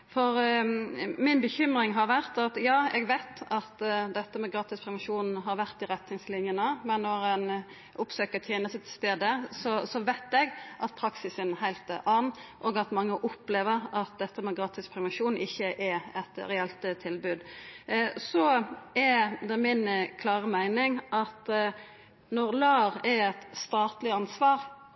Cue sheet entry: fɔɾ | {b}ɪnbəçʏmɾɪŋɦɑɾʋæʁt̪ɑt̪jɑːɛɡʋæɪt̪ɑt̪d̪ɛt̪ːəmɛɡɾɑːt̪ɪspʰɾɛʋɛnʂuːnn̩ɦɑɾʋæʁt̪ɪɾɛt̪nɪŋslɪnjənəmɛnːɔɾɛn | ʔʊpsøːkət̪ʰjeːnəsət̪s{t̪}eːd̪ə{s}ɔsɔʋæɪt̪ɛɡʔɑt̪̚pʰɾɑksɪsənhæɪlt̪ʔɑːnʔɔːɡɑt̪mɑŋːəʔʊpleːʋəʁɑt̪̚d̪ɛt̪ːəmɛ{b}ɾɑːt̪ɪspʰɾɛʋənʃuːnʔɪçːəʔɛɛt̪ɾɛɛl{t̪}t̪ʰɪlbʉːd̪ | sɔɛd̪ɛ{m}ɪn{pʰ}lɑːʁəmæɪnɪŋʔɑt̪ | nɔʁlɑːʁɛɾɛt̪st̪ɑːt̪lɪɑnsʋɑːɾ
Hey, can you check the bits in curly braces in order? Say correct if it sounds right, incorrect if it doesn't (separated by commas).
incorrect, correct, correct, incorrect, correct, correct, incorrect